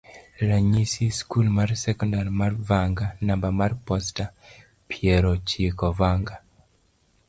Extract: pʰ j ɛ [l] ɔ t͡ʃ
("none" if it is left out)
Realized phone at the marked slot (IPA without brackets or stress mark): ɾ